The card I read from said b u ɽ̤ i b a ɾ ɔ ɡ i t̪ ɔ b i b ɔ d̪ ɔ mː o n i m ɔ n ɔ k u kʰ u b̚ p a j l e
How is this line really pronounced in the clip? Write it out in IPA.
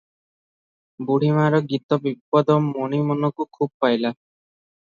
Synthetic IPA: b u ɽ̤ i m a ɾ ɔ ɡ i t̪ ɔ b i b ɔ d̪ ɔ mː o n i m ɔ n ɔ k u kʰ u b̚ p a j l a